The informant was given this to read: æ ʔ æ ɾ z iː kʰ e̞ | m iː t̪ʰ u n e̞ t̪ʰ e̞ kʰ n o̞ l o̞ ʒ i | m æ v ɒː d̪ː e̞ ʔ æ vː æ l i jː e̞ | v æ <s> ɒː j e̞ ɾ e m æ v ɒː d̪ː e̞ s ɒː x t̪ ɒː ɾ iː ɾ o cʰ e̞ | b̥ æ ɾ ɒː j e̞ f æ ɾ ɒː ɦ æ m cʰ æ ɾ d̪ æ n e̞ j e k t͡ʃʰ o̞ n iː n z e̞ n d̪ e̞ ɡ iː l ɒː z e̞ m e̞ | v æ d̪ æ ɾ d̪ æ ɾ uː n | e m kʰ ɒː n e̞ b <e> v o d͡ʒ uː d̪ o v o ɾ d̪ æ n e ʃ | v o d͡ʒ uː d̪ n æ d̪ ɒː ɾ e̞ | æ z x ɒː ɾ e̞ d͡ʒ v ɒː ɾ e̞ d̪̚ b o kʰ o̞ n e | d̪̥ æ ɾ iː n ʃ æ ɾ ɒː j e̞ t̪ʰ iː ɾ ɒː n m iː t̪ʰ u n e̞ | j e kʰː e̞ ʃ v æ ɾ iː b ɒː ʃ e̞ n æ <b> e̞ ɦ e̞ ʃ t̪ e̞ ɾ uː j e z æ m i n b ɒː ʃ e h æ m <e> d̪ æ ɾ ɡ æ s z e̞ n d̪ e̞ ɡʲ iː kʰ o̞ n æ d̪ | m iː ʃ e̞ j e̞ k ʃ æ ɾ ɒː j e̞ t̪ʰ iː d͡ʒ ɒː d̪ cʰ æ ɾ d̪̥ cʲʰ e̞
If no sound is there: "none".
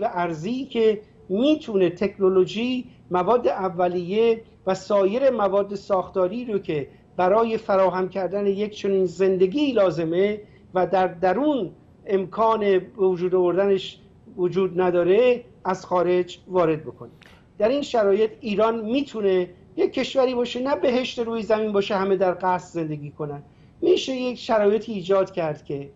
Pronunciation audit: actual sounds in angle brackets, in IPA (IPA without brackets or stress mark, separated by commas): s, e, b, e